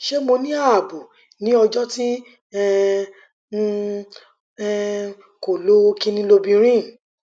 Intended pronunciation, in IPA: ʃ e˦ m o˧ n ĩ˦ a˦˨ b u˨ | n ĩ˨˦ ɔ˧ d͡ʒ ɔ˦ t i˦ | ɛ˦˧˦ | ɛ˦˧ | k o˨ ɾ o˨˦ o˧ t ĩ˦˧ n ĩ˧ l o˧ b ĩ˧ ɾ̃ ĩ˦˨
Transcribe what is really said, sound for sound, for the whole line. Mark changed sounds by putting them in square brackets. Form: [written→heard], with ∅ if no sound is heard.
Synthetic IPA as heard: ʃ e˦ m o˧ n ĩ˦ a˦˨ b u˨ | n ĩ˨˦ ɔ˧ d͡ʒ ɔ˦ t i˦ | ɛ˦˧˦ | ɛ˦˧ | k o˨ [ɾ→l] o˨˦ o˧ [t→k] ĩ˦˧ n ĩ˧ l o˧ b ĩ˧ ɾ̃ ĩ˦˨